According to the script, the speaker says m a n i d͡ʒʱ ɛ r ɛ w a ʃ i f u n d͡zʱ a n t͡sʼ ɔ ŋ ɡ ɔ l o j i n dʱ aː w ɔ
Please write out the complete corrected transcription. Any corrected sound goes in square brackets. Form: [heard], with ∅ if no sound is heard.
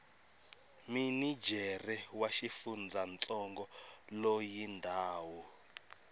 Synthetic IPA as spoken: m [i] n i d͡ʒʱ ɛ r ɛ w a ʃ i f u n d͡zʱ a n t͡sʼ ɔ ŋ ɡ ɔ l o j i n dʱ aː w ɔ

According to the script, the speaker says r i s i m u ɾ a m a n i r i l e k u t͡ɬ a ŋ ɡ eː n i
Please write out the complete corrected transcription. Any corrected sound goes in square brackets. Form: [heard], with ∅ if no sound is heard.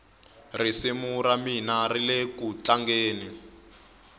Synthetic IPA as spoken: r i s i m u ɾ a m [i] n [a] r i l e k u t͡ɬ a ŋ ɡ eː n i

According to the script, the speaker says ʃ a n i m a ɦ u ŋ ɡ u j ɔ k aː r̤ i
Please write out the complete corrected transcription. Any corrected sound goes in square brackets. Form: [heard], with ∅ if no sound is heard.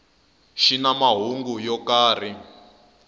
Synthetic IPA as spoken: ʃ [i] n [a] m a ɦ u ŋ ɡ u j ɔ k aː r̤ i

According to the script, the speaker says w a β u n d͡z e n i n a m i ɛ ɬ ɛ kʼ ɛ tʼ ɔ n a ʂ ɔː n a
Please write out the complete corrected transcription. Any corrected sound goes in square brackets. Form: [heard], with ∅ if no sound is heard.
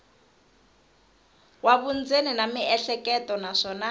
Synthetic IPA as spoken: w a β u n d͡z e n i n a m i ɛ ɬ ɛ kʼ ɛ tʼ ɔ n a ʂ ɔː n a

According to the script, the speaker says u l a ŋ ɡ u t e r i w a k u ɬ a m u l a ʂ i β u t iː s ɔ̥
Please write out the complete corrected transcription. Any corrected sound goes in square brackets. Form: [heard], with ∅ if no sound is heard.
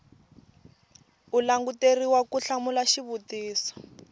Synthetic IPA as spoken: u l a ŋ ɡ u t e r i w a k u ɬ a m u l a [ʃ] i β u t iː s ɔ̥

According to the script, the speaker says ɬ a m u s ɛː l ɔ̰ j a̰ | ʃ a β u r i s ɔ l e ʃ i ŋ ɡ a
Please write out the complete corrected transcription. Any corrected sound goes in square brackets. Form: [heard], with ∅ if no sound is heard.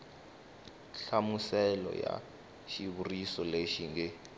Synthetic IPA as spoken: ɬ a m u s [ɛ] l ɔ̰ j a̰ | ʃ [i] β u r i s ɔ l e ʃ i ŋ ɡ [ɛ]

